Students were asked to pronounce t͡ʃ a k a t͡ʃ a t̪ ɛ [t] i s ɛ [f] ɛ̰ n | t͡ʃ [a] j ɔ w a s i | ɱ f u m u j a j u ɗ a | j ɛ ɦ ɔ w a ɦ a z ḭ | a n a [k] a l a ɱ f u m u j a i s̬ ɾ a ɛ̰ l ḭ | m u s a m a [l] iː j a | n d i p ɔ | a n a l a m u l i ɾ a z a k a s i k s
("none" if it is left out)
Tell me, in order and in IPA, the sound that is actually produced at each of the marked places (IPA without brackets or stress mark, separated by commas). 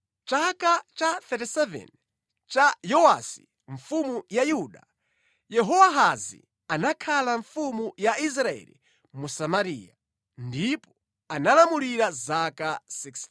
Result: t, v, a, kʰ, ɾ